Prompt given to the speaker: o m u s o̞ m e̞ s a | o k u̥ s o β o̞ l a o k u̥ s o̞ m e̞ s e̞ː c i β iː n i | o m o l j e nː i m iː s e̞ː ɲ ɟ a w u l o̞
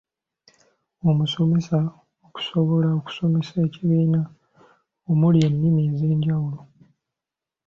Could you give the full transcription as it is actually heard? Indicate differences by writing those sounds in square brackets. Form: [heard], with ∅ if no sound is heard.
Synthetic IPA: o m u s o̞ m e̞ s a | o k u̥ s o β o̞ l a o k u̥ s o̞ m e̞ s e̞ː c i β iː n [a] | o m [u] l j e nː i m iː [z] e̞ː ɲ ɟ a w u l o̞